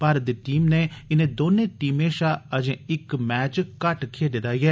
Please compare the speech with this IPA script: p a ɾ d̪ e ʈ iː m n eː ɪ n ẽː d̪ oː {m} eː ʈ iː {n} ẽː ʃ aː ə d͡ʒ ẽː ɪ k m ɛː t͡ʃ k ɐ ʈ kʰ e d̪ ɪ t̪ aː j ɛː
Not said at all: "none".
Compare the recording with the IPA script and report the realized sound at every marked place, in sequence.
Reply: n, m

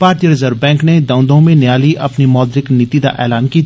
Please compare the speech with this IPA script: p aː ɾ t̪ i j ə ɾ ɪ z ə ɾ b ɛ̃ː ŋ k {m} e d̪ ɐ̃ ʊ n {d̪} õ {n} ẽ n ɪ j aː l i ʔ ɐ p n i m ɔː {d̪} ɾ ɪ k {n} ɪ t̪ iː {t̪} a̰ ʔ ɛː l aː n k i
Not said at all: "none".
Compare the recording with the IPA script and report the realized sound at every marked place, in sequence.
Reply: n, d̪, m, d̪, n, d̪

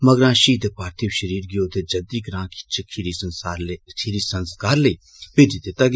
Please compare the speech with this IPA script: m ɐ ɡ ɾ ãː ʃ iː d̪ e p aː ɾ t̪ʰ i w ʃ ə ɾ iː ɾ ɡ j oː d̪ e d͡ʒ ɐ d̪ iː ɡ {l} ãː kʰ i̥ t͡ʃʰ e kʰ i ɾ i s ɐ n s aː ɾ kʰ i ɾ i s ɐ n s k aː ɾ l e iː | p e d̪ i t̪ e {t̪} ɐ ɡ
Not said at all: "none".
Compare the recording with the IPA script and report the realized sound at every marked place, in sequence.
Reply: ɾ, t̪

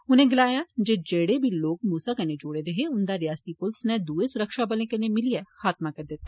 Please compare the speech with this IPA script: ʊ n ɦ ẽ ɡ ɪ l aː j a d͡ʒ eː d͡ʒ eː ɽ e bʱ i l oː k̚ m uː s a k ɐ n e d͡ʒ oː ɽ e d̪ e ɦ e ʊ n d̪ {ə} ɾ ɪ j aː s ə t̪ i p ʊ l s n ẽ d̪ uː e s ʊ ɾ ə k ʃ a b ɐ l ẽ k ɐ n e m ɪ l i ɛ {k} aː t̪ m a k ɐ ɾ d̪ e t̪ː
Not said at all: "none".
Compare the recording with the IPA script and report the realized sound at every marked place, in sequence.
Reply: a, x

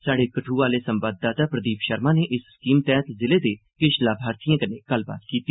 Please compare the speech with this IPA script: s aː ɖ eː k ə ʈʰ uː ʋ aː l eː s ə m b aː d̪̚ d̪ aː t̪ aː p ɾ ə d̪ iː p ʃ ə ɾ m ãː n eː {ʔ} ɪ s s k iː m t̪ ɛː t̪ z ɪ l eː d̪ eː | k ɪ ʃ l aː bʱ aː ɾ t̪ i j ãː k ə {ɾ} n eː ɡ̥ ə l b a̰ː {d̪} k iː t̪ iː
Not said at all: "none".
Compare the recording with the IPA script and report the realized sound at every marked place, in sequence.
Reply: ʔ, none, t̪

